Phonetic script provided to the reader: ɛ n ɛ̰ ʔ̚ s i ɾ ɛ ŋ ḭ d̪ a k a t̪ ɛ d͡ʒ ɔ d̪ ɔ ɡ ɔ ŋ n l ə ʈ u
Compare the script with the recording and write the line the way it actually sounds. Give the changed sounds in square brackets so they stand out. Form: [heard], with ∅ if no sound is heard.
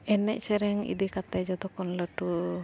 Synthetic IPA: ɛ n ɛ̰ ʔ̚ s [ɛ] ɾ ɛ ŋ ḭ d̪ [i] k a t̪ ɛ d͡ʒ ɔ d̪ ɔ [k] ɔ [∅] n l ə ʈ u